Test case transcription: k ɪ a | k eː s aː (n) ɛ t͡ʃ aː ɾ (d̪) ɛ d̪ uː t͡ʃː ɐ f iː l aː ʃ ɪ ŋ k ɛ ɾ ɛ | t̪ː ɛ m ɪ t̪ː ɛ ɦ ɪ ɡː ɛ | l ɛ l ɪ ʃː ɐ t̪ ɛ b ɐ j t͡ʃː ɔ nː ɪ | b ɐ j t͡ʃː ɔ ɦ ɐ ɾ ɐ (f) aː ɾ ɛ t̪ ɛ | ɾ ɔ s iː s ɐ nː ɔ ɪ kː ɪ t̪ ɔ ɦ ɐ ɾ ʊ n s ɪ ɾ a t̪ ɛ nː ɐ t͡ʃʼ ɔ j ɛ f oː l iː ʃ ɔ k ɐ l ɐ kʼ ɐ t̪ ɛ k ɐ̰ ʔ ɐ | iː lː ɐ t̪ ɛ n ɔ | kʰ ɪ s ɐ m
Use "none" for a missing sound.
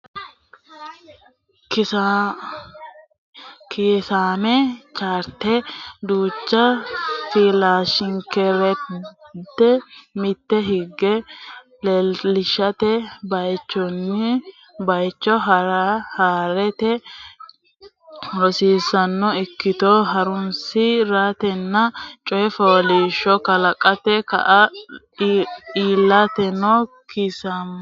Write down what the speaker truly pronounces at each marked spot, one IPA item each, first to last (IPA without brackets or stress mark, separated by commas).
m, t̪, h